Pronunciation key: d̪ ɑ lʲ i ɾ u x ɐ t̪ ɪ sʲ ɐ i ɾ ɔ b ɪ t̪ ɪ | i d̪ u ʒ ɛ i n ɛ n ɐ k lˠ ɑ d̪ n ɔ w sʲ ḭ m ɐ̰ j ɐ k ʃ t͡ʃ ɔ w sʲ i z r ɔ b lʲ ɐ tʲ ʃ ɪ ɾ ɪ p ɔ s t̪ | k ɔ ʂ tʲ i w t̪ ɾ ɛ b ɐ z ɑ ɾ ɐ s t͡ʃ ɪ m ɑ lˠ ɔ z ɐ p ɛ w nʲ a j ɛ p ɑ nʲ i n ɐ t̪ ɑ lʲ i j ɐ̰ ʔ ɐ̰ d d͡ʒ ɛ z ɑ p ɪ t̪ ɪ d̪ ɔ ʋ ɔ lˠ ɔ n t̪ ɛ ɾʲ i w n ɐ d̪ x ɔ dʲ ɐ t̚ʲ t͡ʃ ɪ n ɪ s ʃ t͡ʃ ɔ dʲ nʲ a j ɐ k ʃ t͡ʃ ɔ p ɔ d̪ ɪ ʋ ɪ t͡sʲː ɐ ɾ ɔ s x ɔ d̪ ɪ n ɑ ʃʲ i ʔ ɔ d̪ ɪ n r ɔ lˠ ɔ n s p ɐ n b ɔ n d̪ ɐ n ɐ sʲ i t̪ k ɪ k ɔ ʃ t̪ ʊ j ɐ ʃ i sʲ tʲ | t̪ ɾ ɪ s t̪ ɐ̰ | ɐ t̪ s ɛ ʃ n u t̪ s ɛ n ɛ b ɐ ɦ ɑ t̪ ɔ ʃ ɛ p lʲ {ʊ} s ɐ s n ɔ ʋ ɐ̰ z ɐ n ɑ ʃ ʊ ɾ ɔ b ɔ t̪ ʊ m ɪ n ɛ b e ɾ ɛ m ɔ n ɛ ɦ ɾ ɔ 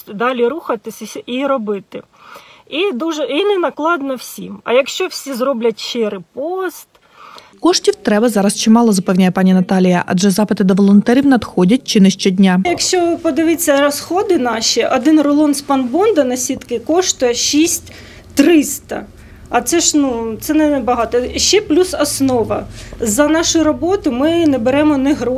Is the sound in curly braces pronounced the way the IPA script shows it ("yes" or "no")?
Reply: no